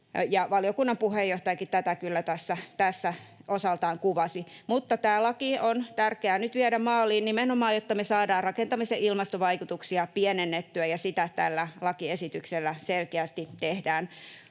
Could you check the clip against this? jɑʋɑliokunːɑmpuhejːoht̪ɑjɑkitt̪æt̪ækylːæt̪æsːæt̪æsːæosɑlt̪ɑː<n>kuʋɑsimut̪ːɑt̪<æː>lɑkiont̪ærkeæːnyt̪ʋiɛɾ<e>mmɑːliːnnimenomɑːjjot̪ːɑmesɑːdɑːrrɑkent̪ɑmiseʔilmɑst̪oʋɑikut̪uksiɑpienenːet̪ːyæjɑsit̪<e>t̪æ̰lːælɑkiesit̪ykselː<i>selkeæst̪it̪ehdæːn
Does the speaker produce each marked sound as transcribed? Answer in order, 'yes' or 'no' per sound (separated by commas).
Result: no, yes, no, no, no